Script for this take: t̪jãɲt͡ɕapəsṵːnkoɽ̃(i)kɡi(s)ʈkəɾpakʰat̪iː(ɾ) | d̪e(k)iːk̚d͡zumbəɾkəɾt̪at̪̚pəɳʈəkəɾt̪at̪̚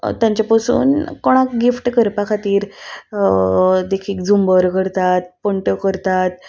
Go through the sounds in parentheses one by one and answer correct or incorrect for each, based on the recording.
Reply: incorrect, incorrect, correct, incorrect

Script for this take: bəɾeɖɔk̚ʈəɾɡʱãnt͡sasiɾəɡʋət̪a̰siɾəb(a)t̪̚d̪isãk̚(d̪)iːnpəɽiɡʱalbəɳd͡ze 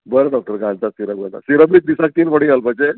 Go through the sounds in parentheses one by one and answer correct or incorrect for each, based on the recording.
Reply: incorrect, incorrect

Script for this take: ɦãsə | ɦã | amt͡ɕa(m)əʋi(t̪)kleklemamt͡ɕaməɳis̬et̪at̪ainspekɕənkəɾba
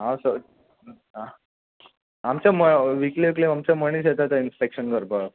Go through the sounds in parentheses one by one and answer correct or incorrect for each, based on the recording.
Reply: correct, incorrect

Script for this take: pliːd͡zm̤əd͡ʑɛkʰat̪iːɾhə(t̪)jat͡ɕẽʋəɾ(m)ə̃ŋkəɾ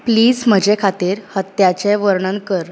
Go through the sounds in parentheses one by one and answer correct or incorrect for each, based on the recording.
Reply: correct, incorrect

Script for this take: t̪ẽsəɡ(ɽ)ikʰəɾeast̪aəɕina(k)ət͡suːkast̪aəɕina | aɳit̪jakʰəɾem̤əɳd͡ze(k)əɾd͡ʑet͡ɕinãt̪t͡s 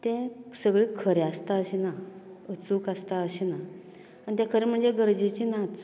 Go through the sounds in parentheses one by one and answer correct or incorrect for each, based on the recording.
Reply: incorrect, incorrect, incorrect

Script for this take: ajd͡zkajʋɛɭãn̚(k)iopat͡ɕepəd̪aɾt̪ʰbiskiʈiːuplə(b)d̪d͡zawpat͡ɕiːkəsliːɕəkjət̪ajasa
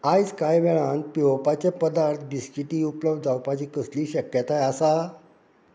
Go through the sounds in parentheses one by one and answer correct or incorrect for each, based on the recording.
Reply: incorrect, correct

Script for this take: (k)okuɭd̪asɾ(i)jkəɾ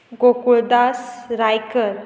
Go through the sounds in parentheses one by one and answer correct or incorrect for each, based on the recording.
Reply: incorrect, incorrect

